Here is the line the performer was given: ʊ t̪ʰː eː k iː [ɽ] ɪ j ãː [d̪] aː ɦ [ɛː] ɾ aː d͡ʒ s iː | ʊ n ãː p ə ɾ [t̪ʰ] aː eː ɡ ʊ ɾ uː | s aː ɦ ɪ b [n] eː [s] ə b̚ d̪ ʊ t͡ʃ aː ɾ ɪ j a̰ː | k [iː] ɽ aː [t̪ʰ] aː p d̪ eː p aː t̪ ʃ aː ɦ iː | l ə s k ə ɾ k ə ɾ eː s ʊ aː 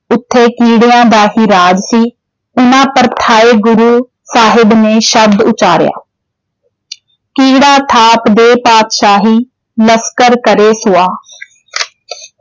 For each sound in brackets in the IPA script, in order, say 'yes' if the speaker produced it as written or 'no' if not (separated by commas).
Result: yes, yes, no, yes, yes, no, yes, yes